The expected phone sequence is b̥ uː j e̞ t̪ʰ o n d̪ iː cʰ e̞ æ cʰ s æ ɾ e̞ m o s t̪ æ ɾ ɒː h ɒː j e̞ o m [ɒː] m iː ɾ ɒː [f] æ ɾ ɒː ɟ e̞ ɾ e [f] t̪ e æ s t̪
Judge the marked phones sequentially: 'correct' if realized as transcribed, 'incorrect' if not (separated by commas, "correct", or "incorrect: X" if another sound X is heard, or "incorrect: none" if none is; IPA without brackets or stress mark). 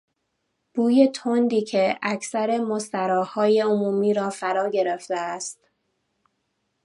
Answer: incorrect: uː, correct, correct